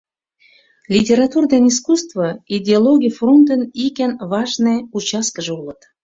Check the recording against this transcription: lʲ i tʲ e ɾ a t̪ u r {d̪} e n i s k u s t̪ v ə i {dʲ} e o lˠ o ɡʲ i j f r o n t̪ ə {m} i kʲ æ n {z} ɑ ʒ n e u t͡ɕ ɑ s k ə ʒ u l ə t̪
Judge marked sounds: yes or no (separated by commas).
yes, yes, no, no